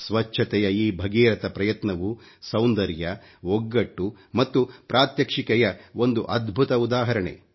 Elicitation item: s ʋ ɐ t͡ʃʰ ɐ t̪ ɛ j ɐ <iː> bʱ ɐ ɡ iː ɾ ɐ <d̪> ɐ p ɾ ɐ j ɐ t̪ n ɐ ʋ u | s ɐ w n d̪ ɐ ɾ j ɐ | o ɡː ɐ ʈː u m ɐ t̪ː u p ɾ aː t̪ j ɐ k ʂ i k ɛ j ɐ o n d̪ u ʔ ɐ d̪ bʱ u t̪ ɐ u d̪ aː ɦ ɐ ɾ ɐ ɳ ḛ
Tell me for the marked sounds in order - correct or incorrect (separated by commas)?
correct, incorrect